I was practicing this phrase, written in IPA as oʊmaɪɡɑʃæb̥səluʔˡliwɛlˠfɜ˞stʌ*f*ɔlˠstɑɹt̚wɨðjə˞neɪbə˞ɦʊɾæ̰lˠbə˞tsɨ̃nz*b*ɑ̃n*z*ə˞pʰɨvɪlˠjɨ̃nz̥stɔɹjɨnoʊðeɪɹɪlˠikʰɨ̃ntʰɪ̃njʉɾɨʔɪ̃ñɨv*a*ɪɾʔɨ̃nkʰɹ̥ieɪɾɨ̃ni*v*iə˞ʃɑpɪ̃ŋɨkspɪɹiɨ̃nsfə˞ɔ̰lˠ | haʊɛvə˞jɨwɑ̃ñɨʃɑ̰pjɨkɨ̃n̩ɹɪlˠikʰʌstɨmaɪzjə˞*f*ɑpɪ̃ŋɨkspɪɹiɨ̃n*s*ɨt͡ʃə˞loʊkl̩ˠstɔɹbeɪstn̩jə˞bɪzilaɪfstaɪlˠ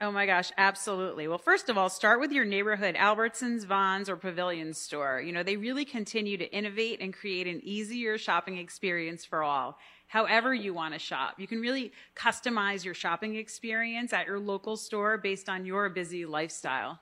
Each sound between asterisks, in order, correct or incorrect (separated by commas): incorrect, incorrect, correct, incorrect, incorrect, incorrect, correct